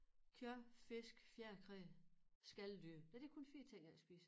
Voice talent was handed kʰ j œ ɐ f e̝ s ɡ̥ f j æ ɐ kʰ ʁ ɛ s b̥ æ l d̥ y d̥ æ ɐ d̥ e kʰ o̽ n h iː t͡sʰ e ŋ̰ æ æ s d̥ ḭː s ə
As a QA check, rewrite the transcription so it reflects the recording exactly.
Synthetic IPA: kʰ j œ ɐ f e̝ s ɡ̥ f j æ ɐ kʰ ʁ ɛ s ɡ̥ æ l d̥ y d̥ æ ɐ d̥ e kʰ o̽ n f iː t͡sʰ e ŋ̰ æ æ s b̥ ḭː s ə